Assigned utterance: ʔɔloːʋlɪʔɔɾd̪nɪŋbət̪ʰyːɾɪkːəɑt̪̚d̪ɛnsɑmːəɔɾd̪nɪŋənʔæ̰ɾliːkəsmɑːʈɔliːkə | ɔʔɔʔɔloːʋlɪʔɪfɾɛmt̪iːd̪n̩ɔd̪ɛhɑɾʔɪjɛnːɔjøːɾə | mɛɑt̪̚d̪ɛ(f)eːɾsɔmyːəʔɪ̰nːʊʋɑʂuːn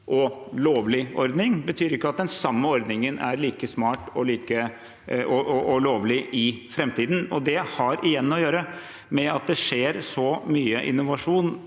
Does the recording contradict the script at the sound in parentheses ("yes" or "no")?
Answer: yes